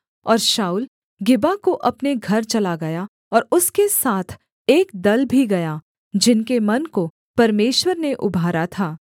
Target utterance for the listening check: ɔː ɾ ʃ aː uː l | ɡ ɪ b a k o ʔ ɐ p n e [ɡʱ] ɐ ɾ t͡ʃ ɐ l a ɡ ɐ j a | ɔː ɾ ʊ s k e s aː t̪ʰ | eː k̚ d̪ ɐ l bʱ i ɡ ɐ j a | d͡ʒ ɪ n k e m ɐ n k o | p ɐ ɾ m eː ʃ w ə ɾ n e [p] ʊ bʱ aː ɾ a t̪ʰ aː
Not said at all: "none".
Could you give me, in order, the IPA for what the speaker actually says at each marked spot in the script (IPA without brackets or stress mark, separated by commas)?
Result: ɡʱ, ʔ